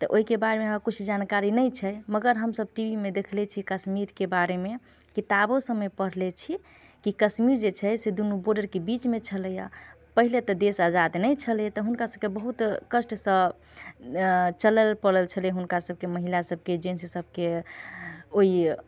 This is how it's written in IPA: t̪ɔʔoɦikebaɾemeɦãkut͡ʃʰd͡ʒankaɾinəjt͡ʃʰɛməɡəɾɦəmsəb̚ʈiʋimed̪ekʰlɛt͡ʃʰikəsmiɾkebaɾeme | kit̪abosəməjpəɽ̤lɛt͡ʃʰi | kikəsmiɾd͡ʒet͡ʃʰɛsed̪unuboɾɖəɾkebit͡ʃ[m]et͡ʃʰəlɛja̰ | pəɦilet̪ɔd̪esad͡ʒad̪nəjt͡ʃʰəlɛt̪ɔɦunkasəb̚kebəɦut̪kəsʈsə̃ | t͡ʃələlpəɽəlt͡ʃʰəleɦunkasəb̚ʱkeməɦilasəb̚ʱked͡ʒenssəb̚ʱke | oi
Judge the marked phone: correct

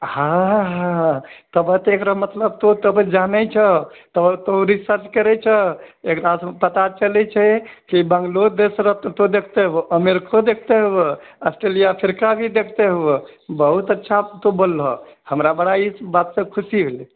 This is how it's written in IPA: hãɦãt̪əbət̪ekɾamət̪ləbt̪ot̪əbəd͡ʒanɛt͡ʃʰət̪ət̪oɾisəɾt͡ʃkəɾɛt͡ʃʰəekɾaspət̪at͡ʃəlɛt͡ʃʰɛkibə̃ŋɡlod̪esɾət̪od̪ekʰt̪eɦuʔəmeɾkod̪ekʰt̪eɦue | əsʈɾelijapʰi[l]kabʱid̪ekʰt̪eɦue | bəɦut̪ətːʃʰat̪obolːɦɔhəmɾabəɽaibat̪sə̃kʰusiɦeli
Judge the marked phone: incorrect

